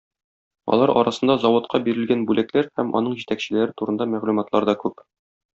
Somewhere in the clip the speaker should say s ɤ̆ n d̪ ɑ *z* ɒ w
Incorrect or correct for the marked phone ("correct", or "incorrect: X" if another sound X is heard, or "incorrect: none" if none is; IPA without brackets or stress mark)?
correct